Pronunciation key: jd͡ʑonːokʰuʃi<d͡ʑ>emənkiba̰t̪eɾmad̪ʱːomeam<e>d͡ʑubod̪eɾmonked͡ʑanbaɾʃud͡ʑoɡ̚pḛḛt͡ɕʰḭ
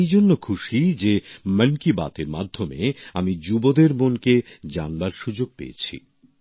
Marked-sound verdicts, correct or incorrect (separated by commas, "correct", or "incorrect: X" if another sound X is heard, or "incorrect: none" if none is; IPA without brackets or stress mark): correct, incorrect: i